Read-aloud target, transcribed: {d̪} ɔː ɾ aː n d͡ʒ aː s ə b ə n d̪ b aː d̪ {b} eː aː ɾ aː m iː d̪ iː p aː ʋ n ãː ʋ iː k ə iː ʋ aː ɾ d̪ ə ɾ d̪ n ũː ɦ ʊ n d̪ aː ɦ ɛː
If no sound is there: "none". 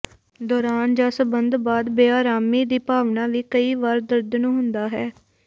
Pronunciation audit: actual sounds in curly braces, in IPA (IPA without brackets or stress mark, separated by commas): d̪, b